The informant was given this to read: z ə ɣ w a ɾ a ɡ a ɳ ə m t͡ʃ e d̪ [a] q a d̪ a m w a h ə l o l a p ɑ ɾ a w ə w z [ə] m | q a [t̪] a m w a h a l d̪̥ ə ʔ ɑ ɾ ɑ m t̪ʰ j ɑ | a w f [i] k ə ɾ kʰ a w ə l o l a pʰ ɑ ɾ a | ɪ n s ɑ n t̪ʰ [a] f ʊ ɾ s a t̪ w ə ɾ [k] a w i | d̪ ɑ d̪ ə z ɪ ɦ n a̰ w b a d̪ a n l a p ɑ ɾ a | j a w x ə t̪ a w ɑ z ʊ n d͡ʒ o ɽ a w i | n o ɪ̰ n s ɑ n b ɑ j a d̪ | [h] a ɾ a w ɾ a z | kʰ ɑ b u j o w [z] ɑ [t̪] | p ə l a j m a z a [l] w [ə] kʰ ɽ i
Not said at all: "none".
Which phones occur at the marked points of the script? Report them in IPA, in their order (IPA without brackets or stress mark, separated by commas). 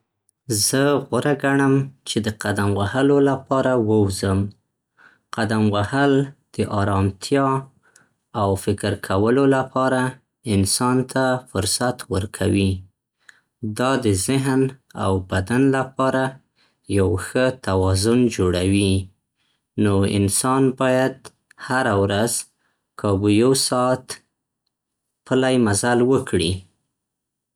ə, ə, d̪, ɪ, a, kʰ, h, s, t̪, l, ə